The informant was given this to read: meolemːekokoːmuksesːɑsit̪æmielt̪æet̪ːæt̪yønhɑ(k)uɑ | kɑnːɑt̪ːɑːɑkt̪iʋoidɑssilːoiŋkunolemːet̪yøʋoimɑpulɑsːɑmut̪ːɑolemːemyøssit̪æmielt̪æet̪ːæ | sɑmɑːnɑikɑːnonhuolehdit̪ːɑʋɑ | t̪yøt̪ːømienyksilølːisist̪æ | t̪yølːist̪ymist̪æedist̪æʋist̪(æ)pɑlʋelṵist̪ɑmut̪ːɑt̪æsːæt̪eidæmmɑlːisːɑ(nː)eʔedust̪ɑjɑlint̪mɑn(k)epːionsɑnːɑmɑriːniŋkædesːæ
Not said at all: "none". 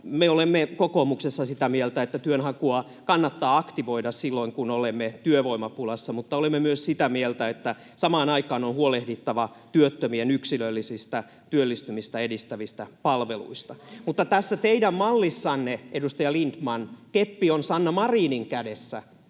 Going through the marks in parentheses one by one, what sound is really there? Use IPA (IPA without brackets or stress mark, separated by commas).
k, æ, nː, k